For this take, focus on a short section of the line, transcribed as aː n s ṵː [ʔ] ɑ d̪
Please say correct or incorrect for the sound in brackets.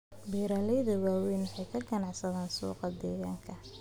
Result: incorrect